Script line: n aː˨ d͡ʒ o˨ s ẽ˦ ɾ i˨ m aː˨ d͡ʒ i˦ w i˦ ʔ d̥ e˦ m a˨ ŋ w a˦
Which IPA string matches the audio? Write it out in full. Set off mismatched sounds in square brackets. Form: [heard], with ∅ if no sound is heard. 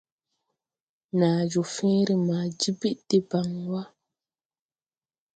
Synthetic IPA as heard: n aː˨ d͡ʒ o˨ [f] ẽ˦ ɾ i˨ m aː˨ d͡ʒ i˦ [b] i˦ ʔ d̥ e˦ [b] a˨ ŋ w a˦

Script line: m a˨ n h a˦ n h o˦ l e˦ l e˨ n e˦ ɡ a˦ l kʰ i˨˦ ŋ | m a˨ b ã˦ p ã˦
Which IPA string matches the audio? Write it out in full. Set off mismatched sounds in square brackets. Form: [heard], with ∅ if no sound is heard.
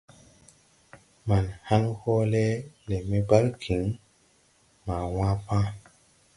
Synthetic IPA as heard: m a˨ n h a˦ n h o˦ l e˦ l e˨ [m] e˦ [b] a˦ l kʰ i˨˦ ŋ | m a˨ [w] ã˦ p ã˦

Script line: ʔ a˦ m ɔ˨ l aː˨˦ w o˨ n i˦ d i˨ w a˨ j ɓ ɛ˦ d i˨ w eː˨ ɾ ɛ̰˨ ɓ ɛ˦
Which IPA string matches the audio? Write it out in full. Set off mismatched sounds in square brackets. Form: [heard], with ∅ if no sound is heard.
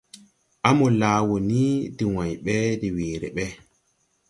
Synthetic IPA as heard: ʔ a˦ m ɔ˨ l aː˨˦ w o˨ n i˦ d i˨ w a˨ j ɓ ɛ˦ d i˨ w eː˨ ɾ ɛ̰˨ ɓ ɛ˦

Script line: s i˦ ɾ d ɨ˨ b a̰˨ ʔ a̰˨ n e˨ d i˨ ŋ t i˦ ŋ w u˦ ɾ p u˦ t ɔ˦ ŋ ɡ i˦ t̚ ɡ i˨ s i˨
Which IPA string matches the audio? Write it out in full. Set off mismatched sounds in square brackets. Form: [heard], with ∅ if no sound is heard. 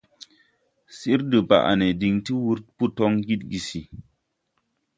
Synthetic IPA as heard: s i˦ ɾ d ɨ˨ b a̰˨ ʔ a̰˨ n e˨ d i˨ ŋ t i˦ [∅] w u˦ ɾ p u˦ t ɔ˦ ŋ ɡ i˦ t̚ ɡ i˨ s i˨

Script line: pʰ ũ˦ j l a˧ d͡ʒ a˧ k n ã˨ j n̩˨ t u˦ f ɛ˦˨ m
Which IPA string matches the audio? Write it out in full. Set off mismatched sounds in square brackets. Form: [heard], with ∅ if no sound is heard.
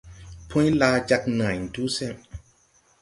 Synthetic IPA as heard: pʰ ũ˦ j l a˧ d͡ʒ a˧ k n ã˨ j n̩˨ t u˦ [s] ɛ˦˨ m

